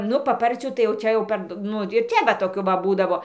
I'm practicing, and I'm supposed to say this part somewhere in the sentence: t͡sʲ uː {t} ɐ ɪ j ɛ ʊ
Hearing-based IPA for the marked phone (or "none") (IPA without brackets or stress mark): t